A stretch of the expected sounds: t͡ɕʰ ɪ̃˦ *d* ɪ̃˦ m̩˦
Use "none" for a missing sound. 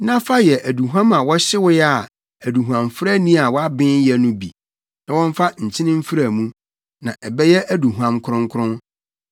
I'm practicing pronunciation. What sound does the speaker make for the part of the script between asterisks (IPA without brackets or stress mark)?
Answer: n